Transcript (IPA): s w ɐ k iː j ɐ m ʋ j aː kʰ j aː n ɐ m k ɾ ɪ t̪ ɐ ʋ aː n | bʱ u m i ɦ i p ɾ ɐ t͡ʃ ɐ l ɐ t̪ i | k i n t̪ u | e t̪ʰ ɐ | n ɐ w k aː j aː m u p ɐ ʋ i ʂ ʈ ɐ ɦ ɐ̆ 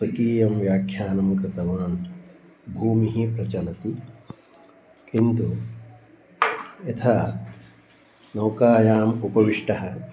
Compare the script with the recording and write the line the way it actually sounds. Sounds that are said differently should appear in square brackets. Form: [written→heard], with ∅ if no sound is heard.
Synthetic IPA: s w ɐ k iː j ɐ m ʋ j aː kʰ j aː n ɐ m k ɾ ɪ t̪ ɐ ʋ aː n | bʱ [u→uː] m i ɦ i p ɾ ɐ t͡ʃ ɐ l ɐ t̪ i | k i n t̪ u | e t̪ʰ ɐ | n ɐ w k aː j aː m u p ɐ ʋ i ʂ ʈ ɐ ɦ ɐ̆